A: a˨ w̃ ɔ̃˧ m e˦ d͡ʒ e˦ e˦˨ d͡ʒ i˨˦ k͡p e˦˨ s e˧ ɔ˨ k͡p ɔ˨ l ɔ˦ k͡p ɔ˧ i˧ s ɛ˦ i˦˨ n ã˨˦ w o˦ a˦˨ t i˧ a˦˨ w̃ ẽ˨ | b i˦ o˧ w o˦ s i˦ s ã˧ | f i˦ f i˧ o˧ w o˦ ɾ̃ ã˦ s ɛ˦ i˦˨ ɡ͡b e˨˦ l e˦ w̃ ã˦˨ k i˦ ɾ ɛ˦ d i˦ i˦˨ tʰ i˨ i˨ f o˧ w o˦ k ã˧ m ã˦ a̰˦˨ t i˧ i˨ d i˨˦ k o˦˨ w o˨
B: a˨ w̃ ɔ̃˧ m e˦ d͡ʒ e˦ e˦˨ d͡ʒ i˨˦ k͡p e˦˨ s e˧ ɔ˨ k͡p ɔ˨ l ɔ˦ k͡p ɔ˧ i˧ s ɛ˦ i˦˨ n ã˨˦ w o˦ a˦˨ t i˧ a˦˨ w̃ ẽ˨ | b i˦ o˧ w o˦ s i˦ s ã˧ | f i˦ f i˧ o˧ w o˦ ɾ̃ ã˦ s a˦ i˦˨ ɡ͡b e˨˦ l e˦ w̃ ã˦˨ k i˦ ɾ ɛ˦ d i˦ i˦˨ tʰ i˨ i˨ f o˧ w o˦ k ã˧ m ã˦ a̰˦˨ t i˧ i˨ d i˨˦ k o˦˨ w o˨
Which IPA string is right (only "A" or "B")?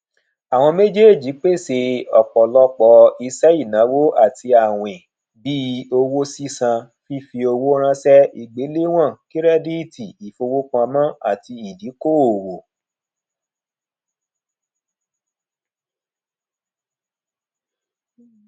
A